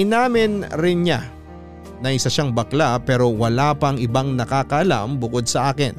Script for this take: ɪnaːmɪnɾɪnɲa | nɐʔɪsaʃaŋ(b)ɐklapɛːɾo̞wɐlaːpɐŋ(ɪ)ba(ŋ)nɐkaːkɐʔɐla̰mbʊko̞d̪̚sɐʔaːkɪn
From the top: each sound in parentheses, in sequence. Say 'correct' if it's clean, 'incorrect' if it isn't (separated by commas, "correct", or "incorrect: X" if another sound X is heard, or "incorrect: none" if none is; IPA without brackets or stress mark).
correct, correct, correct